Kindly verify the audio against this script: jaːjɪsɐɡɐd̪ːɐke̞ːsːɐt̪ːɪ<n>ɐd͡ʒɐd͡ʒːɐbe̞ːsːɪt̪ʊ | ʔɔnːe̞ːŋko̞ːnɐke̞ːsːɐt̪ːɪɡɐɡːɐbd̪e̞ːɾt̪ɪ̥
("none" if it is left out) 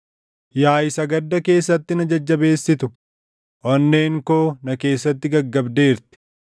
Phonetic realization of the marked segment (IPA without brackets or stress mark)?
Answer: n